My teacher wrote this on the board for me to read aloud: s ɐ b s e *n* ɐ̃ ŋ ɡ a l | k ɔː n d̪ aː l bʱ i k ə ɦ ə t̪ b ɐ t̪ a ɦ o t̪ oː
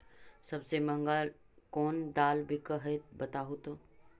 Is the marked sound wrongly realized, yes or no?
yes